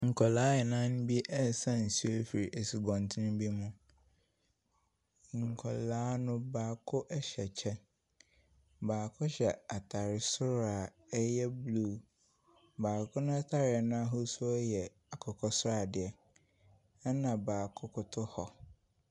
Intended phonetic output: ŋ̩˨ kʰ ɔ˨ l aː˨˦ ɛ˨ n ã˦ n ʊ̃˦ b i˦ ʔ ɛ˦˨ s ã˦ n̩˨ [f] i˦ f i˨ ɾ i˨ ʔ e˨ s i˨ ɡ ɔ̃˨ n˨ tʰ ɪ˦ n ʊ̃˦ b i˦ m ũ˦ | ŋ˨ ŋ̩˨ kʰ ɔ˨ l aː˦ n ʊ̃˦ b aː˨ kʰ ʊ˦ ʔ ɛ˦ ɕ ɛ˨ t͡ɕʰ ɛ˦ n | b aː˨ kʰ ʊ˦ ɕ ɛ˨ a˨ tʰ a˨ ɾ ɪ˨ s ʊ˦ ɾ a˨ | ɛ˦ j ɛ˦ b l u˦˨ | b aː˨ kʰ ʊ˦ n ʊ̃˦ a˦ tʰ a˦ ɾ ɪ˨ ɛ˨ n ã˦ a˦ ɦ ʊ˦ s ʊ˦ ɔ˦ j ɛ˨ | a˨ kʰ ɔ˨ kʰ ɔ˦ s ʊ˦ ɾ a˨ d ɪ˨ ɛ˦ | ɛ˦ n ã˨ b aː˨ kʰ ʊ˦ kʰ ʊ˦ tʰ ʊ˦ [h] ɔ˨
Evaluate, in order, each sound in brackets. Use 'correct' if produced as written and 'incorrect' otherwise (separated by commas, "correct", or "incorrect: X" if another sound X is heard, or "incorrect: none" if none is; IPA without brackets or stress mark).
incorrect: s, correct